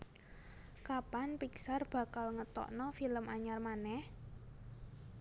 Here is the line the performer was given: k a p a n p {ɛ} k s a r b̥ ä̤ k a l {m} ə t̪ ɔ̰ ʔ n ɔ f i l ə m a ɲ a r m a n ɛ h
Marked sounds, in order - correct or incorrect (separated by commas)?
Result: incorrect, incorrect